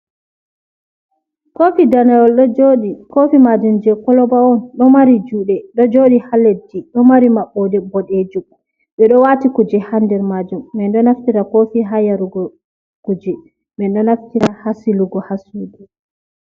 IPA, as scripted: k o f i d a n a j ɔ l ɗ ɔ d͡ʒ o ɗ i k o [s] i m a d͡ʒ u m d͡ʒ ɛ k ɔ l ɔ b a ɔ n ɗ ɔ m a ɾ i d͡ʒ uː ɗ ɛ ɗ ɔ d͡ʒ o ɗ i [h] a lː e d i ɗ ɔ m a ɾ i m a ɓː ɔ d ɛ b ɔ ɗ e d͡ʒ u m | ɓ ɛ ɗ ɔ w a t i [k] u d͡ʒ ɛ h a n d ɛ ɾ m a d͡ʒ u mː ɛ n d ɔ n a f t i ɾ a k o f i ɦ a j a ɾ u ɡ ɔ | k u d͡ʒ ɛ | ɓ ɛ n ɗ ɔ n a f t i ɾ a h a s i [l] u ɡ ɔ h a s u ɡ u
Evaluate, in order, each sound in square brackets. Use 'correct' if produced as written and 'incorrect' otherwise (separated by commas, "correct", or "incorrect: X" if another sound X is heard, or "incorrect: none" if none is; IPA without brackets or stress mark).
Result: incorrect: f, correct, correct, correct